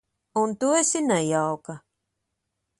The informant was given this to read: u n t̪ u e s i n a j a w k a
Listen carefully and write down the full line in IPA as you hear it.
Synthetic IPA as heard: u n t̪ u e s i n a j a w k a